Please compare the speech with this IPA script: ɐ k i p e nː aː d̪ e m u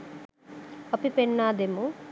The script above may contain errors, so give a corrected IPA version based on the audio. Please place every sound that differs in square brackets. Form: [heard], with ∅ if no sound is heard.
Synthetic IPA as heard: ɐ [p] i p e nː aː d̪ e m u

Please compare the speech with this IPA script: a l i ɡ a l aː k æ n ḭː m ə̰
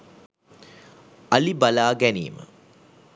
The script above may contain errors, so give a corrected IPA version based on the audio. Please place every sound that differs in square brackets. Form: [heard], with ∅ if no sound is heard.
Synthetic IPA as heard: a l i [b] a l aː [ɡ] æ n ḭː m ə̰

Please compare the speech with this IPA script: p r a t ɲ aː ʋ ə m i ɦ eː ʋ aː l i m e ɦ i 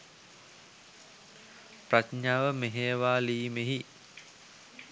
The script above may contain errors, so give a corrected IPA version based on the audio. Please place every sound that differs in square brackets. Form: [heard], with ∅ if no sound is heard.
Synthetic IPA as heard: p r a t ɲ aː ʋ ə m [e] ɦ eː ʋ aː l [iː] m e ɦ i

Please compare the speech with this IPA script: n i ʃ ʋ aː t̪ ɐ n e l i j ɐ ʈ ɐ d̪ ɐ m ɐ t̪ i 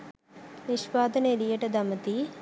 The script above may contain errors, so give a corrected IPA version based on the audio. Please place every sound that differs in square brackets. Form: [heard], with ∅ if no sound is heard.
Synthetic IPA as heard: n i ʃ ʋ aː [d̪] ɐ n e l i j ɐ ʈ ɐ d̪ ɐ m ɐ t̪ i

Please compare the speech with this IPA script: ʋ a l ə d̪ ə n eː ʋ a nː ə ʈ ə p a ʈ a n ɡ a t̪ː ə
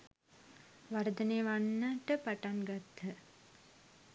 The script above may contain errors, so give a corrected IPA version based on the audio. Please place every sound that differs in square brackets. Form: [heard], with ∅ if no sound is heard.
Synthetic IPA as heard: ʋ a [ɾ] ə d̪ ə n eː ʋ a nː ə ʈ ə p a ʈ a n ɡ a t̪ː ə

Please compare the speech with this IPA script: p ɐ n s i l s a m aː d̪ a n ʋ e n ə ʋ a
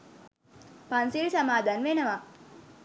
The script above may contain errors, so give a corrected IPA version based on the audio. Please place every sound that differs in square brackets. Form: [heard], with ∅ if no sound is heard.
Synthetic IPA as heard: p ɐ n s i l s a m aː d̪ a n ʋ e n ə ʋ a

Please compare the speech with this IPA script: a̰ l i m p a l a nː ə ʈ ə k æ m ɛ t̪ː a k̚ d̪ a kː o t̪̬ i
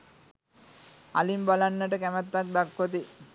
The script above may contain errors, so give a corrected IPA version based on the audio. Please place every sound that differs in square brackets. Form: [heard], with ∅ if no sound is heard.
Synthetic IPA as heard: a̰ l i m [b] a l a nː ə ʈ ə k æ m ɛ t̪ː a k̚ d̪ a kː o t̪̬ i

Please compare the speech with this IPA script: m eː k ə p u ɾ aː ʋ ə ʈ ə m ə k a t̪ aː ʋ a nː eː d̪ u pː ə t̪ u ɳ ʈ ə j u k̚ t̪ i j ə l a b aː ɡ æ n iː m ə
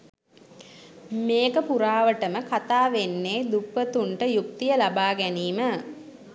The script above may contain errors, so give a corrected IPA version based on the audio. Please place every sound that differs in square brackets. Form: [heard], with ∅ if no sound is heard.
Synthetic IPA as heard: m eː k ə p u ɾ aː ʋ ə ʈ ə m ə k a t̪ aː ʋ [e] nː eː d̪ u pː ə t̪ u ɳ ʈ ə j u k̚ t̪ i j ə l a b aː ɡ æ n iː m ə

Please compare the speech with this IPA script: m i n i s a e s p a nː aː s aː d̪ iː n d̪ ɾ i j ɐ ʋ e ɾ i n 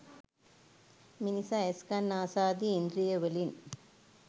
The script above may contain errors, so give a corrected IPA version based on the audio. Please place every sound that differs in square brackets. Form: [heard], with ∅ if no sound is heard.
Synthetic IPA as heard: m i n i s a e s [k] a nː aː s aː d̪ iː n d̪ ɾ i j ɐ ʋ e [l] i n

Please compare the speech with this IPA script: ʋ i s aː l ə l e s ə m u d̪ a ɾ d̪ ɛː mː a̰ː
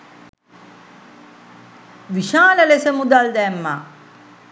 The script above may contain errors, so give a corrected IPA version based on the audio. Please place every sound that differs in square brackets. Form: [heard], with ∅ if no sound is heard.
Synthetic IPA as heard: ʋ i [ʃ] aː l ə l e s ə m u d̪ a [l] d̪ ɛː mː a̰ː

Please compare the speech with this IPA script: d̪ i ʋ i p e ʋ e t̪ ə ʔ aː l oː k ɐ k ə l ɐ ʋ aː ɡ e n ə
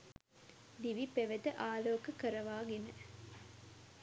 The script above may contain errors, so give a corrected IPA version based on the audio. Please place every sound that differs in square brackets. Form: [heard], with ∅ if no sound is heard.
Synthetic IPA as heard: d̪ i ʋ i p e ʋ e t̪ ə ʔ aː l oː k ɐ k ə [ɾ] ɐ ʋ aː ɡ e n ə

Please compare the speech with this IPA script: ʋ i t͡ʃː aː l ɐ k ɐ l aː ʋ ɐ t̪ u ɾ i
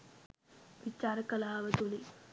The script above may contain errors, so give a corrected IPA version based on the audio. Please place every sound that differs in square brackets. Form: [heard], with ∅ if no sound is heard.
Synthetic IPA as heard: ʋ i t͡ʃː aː [ɾ] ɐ k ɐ l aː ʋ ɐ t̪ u [l] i

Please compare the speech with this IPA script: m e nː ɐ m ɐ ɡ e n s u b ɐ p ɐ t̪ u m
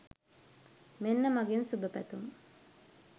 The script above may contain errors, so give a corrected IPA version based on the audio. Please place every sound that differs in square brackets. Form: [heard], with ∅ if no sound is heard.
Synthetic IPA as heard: m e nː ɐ m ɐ ɡ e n s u b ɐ p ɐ t̪ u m

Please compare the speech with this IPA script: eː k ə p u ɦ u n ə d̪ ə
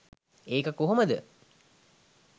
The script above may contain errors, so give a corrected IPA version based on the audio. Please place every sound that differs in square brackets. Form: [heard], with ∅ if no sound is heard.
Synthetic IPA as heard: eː k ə [k] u ɦ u [m] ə d̪ ə

